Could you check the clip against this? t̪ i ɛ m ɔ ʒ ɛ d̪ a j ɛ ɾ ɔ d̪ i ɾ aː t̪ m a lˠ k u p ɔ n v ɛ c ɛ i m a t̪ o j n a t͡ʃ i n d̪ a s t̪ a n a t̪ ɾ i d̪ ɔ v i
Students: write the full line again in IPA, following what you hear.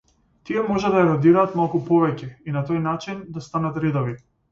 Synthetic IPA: t̪ i ɛ m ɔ ʒ ɛ d̪ a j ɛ ɾ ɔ d̪ i ɾ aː t̪ m a lˠ k u p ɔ v ɛ c ɛ i n a t̪ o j n a t͡ʃ i n d̪ a s t̪ a n a t̪ ɾ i d̪ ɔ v i